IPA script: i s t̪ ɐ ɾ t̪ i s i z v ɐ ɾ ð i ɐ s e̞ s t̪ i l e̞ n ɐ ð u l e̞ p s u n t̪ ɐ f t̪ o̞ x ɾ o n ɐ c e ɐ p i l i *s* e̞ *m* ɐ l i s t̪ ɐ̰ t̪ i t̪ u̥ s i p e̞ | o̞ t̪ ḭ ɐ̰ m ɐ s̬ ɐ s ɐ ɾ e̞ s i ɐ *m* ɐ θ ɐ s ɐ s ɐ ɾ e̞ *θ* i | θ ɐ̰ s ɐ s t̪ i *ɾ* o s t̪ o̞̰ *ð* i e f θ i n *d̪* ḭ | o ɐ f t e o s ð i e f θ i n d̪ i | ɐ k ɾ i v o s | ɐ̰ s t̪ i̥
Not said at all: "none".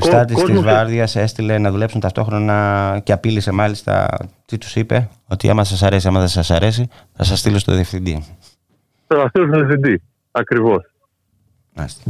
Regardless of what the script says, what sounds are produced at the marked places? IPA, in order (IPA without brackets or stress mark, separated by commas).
s, m, m, s, l, ð, d̪